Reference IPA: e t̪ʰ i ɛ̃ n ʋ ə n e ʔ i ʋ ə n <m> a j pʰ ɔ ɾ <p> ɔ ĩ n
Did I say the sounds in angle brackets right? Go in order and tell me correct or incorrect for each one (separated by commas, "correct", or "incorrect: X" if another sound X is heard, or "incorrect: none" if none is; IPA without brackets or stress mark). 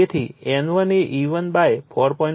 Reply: incorrect: b, correct